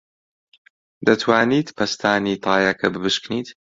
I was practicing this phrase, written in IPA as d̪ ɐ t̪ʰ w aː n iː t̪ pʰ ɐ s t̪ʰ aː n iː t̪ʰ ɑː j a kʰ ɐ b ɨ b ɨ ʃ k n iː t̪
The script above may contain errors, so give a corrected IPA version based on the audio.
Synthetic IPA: d̪ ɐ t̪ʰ w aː n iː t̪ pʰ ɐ s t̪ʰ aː n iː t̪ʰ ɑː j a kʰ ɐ b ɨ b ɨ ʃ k n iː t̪